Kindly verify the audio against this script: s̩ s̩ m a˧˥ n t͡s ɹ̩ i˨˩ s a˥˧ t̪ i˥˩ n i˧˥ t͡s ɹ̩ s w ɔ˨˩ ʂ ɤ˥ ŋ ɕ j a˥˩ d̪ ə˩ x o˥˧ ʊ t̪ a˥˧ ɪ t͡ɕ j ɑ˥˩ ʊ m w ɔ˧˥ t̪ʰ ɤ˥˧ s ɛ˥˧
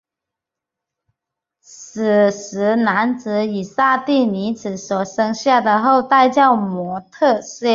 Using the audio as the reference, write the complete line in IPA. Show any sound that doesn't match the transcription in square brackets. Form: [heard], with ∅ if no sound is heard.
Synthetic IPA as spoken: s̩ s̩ [n] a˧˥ n t͡s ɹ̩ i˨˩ s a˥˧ t̪ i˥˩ n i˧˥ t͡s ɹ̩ s w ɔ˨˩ ʂ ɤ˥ ŋ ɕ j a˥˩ d̪ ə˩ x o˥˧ ʊ t̪ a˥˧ ɪ t͡ɕ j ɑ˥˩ ʊ m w ɔ˧˥ t̪ʰ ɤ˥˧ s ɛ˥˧